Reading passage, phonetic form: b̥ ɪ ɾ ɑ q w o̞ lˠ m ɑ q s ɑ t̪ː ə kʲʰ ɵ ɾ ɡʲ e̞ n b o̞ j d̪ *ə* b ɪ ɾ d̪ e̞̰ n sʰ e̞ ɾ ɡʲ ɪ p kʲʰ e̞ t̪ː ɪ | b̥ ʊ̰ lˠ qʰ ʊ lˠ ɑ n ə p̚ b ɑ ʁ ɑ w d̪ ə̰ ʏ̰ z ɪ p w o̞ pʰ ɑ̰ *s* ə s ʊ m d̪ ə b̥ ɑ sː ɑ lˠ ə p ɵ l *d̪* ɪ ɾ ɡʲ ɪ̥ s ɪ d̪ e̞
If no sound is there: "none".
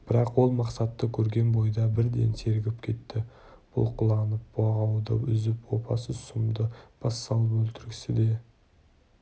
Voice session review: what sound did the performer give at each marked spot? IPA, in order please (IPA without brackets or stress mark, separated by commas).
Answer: ɑ, s, t̪